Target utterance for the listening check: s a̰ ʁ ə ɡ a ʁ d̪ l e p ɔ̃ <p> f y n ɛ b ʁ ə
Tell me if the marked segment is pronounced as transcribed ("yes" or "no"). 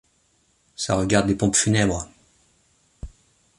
yes